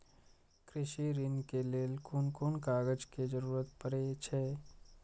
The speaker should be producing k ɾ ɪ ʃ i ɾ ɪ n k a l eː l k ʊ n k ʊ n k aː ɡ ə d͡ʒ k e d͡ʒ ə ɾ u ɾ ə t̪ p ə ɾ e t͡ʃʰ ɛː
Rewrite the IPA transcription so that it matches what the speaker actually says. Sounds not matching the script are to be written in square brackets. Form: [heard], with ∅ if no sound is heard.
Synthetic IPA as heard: k ɾ ɪ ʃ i ɾ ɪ n k [e] l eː l k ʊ n k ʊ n k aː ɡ ə d͡ʒ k e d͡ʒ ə ɾ [uː] ɾ ə t̪ p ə ɾ e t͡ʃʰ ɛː